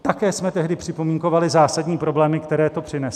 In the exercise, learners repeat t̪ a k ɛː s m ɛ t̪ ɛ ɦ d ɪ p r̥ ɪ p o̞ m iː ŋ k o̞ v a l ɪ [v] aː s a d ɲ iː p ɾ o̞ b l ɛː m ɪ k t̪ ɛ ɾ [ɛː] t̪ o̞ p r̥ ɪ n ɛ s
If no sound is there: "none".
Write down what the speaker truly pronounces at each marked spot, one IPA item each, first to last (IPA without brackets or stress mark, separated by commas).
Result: z, ɛː